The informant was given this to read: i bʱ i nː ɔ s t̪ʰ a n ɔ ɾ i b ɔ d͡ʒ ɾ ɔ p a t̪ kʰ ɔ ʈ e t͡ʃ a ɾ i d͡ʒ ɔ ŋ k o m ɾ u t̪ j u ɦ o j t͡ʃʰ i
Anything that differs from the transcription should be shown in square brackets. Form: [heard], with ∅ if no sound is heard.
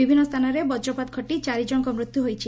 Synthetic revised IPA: i bʱ i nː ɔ s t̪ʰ a n ɔ ɾ [e] b ɔ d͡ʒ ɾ ɔ p a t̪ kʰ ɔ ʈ [i] t͡ʃ a ɾ i d͡ʒ ɔ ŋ k [ɔ] m ɾ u t̪ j u ɦ o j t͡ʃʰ i